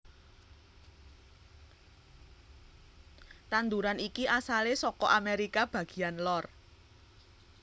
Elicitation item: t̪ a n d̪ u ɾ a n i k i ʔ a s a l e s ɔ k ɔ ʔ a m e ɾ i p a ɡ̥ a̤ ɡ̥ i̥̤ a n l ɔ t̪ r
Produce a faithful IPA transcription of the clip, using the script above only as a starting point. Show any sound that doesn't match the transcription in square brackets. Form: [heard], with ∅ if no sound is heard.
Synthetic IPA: t̪ a n d̪ u ɾ a n i k i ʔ a s a l e s ɔ k ɔ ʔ a m e ɾ i [k] a [b̥] a̤ ɡ̥ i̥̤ a n l ɔ [∅] r

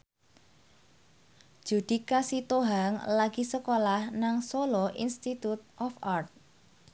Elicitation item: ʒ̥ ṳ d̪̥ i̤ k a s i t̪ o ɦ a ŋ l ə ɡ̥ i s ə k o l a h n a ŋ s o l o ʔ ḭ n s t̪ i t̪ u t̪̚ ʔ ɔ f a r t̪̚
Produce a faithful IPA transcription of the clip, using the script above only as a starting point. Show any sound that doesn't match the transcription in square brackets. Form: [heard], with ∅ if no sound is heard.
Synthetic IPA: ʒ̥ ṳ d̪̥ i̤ k a s i t̪ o ɦ a ŋ l [a] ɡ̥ i s ə k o l a h n a ŋ s o l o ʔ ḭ n s t̪ i t̪ u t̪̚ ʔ ɔ f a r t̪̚

